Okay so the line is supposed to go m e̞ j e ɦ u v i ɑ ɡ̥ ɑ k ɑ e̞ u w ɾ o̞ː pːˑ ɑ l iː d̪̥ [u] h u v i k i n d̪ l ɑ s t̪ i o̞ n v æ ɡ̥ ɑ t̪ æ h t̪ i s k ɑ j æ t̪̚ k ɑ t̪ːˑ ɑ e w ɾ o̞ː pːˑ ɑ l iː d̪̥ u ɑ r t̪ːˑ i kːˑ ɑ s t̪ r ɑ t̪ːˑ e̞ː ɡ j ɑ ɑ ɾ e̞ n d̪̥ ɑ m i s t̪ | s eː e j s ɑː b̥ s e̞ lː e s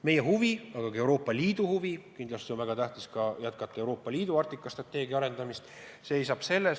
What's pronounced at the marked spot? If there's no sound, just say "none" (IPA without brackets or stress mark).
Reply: u